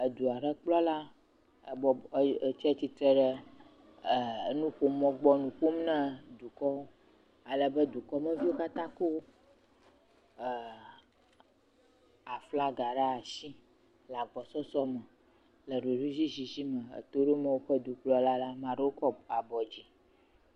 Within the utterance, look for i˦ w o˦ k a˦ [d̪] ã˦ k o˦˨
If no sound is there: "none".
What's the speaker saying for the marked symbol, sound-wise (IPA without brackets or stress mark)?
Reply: t̪